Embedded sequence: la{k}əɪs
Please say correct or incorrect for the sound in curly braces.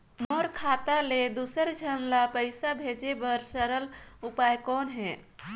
incorrect